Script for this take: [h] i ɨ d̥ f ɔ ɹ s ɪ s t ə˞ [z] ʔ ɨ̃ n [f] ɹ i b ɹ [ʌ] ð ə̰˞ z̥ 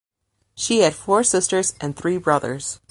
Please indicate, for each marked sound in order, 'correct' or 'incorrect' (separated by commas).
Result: incorrect, correct, incorrect, correct